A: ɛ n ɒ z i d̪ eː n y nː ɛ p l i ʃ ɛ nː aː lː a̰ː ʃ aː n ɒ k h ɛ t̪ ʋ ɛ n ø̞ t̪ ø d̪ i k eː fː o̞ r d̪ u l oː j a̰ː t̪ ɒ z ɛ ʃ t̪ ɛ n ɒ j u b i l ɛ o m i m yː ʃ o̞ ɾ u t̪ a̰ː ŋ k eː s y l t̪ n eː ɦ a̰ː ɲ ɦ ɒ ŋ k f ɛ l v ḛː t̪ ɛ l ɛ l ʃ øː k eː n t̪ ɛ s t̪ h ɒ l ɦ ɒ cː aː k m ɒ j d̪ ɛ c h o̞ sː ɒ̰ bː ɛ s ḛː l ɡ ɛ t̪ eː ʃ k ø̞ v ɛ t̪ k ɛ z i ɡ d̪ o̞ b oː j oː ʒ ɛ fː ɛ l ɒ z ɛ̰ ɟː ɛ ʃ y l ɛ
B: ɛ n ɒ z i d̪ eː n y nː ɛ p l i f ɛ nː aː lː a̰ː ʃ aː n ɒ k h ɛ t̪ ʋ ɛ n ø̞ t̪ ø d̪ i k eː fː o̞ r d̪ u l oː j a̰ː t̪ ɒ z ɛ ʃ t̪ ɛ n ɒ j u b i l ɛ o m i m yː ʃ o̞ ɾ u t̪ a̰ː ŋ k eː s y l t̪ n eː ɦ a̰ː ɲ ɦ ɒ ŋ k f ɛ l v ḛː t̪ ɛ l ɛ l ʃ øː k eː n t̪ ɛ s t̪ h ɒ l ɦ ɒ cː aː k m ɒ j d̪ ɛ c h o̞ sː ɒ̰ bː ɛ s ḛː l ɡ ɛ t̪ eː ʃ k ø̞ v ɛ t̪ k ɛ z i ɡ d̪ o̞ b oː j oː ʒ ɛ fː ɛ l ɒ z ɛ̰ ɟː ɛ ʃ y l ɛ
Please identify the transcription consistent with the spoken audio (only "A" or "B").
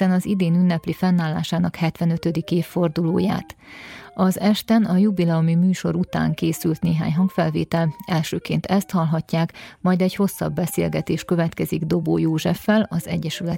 B